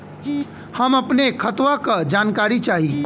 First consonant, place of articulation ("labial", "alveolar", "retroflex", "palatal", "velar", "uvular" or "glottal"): glottal